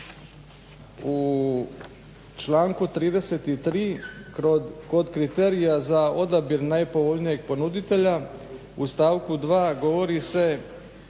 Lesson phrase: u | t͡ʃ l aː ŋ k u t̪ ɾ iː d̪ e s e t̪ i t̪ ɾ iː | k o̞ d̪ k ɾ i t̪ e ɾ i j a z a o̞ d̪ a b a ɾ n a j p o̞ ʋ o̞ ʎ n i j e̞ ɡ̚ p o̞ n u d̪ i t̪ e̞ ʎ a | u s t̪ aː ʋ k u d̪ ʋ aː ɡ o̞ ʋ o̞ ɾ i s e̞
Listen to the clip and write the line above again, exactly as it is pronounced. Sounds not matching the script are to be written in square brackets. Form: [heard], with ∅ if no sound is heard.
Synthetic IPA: u | t͡ʃ l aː ŋ k u t̪ ɾ iː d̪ e s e t̪ i t̪ ɾ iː | k o̞ d̪ k ɾ i t̪ e ɾ i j a z a o̞ d̪ a b [i] ɾ n a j p o̞ ʋ o̞ ʎ n i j e̞ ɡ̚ p o̞ n u d̪ i t̪ e̞ ʎ a | u s t̪ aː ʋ k u d̪ ʋ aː ɡ o̞ ʋ o̞ ɾ i s e̞